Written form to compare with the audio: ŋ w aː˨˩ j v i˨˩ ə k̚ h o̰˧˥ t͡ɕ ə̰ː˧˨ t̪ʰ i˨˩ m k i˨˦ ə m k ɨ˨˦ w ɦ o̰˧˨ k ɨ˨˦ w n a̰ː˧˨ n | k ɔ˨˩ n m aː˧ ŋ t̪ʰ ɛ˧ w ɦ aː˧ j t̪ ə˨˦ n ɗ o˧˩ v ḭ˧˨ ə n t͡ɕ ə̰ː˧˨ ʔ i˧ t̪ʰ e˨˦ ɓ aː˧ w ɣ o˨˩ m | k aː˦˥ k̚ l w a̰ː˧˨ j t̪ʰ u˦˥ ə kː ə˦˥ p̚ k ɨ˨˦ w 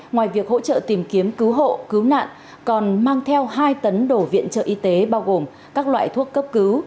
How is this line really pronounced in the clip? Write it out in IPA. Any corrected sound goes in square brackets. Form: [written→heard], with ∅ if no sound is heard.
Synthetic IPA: ŋ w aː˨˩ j v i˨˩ ə k̚ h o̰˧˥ t͡ɕ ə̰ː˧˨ [t̪ʰ→t̪] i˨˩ m k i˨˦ ə m k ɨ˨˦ w ɦ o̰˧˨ k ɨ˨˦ w n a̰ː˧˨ n | k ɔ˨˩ n m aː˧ ŋ t̪ʰ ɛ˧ w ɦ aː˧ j t̪ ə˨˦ n ɗ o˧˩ v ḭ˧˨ ə n t͡ɕ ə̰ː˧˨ ʔ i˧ [t̪ʰ→t̪] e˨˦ ɓ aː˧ w ɣ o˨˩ m | k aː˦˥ k̚ l w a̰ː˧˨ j t̪ʰ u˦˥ ə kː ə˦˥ p̚ k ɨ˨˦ w